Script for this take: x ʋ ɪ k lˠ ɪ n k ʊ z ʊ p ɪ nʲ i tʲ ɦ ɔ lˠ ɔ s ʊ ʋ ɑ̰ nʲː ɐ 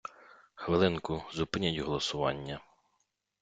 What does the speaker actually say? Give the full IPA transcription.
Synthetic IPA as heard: x ʋ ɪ lˠ ɪ n k ʊ z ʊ p ɪ nʲ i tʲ ɦ ɔ lˠ ɔ s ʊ ʋ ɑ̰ nʲː ɐ